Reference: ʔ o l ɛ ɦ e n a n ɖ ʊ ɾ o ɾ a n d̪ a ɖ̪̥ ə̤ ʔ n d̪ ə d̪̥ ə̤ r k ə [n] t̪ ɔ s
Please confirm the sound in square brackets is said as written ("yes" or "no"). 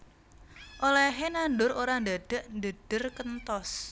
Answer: yes